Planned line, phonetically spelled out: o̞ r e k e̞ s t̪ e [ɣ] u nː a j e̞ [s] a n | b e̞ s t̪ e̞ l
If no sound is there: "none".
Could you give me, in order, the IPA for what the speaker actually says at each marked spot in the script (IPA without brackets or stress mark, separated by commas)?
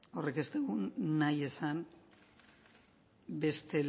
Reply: ɣ, s